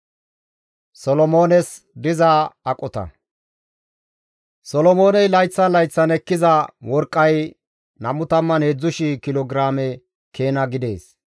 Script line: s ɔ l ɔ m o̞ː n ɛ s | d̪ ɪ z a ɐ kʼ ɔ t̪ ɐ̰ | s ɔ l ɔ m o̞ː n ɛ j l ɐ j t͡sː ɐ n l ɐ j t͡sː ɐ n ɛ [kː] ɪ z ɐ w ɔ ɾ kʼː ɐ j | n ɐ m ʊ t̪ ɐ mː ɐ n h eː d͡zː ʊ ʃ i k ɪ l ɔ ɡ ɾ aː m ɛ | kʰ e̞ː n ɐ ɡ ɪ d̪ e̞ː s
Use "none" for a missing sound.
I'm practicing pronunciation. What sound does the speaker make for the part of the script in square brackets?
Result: kː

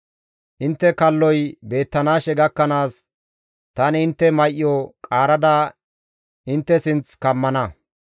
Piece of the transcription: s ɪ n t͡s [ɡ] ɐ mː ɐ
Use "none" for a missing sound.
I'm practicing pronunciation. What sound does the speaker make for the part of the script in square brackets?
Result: k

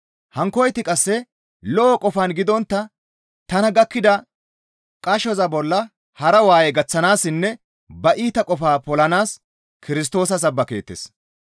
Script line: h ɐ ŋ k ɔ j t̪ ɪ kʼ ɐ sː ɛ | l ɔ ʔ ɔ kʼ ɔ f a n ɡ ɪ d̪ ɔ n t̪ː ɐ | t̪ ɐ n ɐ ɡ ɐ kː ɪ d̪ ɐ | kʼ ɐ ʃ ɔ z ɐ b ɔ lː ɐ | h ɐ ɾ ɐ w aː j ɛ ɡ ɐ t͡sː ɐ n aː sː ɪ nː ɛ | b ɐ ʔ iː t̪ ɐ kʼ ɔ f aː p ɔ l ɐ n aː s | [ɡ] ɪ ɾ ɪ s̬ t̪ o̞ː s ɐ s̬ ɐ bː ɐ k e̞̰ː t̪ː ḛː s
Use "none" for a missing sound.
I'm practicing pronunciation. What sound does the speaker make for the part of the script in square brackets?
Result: k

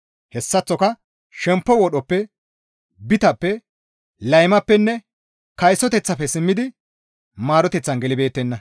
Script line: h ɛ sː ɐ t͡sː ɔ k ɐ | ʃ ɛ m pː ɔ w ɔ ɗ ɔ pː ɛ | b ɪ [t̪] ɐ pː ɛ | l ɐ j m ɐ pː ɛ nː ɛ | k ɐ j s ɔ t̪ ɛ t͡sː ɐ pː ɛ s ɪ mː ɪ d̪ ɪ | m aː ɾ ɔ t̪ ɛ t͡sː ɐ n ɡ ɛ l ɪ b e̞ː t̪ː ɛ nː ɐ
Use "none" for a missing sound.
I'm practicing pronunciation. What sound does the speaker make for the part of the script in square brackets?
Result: t̪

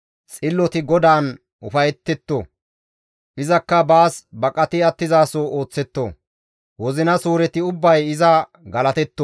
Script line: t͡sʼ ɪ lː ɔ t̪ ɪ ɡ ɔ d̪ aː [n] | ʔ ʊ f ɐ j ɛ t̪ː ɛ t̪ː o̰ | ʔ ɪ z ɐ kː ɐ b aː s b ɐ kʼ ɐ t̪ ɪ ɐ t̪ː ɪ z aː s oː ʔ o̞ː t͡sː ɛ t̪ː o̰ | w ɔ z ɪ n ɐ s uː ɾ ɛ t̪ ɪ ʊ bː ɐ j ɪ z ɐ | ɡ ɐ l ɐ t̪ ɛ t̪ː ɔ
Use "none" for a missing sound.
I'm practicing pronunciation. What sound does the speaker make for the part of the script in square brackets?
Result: n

